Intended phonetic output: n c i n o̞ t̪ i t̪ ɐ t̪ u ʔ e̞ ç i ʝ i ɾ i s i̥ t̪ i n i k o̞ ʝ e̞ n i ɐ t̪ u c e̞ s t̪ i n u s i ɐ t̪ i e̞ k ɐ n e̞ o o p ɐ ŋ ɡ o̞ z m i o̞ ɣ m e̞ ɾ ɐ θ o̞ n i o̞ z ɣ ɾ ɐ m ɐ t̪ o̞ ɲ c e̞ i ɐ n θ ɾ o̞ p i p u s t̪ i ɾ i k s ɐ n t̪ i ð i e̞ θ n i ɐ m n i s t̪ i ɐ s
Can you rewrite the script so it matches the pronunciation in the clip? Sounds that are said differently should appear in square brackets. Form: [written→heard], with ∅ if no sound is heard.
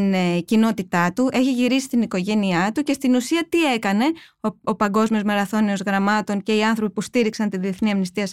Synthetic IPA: n c i n o̞ t̪ i t̪ ɐ t̪ u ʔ e̞ ç i ʝ i ɾ i s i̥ t̪ i n i k o̞ ʝ e̞ n i ɐ t̪ u c e̞ s t̪ i n u s i ɐ t̪ i e̞ k ɐ n e̞ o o p ɐ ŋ ɡ o̞ z m i o̞ [ɣ→z] m e̞ ɾ ɐ θ o̞ n i o̞ z ɣ ɾ ɐ m ɐ t̪ o̞ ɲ c e̞ i ɐ n θ ɾ o̞ p i p u s t̪ i ɾ i k s ɐ n t̪ i ð i e̞ θ n i ɐ m n i s t̪ i ɐ s